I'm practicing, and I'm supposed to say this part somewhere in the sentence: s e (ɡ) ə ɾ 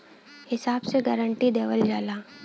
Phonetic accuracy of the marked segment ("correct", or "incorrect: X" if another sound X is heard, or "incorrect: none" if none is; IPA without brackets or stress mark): correct